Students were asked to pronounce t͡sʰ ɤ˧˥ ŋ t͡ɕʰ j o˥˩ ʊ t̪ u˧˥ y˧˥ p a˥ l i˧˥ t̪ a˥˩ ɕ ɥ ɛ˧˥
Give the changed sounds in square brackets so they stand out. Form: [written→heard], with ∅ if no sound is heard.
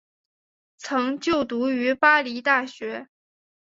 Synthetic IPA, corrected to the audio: t͡sʰ ɤ˧˥ ŋ [t͡ɕʰ→t͡ɕ] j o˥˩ ʊ t̪ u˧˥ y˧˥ p a˥ l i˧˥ t̪ a˥˩ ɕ ɥ ɛ˧˥